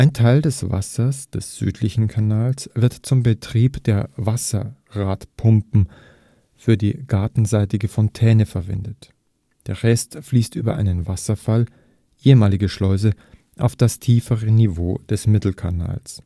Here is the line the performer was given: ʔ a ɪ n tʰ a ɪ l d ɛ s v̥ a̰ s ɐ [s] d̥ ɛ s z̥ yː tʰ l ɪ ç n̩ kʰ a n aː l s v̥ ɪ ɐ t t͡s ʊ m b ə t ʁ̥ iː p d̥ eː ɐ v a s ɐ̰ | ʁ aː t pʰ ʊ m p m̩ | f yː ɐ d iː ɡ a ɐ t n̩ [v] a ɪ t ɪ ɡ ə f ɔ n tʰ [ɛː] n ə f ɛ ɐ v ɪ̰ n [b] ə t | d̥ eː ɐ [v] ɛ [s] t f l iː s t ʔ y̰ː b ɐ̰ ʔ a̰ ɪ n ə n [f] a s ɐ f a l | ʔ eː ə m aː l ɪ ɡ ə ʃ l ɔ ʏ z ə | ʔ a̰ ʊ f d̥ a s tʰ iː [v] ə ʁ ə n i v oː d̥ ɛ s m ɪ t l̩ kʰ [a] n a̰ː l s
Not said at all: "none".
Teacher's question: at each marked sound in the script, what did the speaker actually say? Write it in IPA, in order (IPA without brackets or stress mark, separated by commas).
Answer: s, z, ɛː, d, ʁ, s, v, f, a